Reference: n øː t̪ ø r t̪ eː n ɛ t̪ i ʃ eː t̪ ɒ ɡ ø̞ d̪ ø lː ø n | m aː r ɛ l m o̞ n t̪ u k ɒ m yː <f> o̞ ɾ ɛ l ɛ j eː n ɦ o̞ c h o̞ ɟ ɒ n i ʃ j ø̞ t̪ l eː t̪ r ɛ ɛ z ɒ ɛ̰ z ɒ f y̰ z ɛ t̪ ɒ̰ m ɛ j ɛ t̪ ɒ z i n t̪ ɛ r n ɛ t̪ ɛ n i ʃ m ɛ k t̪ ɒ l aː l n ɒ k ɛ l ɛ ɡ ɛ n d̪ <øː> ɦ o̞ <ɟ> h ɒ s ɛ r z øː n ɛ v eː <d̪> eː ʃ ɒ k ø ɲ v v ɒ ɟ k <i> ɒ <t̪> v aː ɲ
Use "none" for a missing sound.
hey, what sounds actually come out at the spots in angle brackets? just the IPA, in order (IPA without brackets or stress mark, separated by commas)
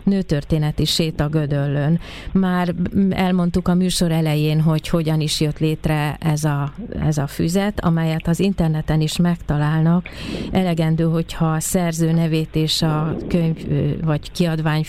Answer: ʃ, øː, c, t̪, i, d̪